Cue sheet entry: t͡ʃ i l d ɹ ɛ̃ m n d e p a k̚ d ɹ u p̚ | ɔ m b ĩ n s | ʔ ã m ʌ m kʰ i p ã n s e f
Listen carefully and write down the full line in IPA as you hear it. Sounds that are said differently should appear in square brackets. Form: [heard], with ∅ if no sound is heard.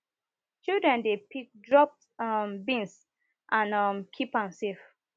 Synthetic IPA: t͡ʃ i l d ɹ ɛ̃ [∅] n d e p [i] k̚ d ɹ [ɔ] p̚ | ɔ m b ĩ n s | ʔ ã [n] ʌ m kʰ i p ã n s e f